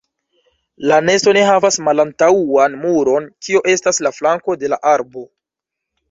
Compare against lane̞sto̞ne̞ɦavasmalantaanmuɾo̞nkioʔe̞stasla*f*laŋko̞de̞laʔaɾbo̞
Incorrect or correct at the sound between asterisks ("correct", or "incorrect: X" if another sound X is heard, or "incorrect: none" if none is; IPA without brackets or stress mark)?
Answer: correct